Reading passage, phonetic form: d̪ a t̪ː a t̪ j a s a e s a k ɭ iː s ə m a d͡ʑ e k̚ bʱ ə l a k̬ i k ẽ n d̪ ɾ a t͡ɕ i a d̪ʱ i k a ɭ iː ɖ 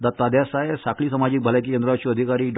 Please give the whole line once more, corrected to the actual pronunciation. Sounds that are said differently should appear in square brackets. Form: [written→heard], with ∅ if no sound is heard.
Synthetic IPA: d̪ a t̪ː a [t̪→d̪] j a s a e s a k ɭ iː s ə m a d͡ʑ [e→i] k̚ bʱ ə l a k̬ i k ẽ n d̪ ɾ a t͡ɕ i [a→ə] d̪ʱ i k a [ɭ→ɾ] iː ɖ